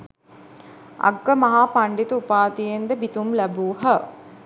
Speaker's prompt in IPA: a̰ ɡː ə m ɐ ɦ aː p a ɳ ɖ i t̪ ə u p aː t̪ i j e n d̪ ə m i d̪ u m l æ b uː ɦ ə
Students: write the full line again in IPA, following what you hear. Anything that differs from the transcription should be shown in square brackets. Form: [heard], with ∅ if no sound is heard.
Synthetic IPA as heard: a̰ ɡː ə m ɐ ɦ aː p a ɳ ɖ i t̪ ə u p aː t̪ i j e n d̪ ə [b] i [t̪] u m l æ b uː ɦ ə